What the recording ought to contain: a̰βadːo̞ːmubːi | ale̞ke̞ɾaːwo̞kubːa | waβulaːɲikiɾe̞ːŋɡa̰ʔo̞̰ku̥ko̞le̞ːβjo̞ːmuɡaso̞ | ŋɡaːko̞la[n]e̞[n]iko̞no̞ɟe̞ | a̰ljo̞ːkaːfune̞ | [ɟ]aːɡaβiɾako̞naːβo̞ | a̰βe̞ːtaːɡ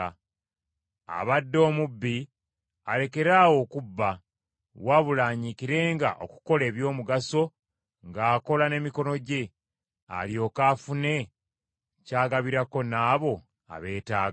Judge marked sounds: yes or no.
yes, no, no

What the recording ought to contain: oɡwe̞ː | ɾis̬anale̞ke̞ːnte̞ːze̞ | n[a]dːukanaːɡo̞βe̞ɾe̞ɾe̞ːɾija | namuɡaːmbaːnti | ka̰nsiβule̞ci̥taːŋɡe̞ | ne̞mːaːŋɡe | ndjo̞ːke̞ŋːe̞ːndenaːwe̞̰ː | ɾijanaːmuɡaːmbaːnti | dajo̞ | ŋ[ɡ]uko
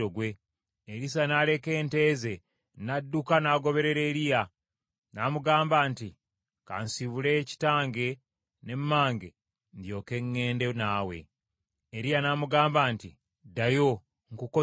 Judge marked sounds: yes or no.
yes, no

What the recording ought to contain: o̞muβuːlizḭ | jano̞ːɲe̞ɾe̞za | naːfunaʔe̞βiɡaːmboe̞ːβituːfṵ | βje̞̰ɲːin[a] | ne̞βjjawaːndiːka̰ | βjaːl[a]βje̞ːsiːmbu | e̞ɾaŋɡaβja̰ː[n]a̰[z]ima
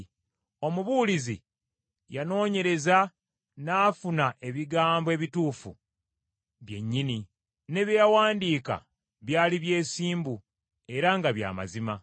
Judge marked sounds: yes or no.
no, no, no, yes

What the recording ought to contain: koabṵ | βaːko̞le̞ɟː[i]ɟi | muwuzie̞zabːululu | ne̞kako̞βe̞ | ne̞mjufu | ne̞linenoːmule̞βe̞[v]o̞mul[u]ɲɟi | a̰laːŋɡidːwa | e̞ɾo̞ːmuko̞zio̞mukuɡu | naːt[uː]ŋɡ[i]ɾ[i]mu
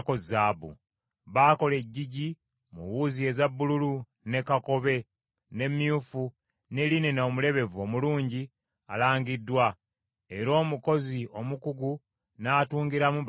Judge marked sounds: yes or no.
yes, yes, no, yes, yes, no

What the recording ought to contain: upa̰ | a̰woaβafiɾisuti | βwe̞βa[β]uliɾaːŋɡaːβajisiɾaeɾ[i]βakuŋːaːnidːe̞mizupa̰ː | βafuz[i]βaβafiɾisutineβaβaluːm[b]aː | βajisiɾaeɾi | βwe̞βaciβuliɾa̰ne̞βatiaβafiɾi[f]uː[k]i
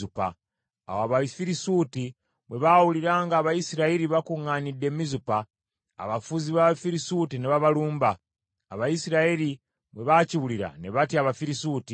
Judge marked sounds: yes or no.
no, yes, yes, yes, no, no

